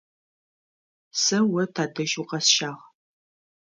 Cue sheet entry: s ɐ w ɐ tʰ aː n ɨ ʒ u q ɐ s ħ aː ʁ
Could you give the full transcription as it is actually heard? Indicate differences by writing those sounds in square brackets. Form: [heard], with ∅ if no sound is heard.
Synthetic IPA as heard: s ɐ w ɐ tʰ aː [d] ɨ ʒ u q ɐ s [ʃ] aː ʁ